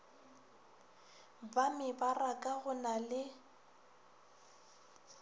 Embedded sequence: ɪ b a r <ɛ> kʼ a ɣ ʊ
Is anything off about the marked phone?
yes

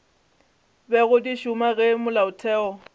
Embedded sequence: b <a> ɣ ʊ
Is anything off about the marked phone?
yes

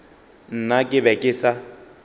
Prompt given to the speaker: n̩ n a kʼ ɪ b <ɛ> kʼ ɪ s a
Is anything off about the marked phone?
no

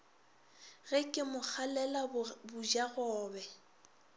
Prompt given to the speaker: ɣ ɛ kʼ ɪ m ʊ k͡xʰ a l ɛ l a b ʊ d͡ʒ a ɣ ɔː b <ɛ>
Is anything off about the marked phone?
no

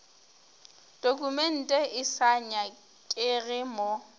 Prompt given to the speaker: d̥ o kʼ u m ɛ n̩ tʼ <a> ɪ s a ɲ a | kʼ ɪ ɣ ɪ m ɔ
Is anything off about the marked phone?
yes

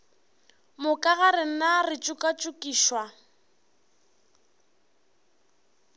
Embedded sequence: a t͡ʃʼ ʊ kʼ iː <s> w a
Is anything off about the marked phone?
yes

